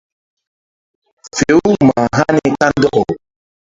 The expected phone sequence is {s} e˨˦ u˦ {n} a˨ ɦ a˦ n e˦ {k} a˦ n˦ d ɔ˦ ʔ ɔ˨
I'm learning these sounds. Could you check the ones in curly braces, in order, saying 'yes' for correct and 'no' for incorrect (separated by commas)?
no, no, yes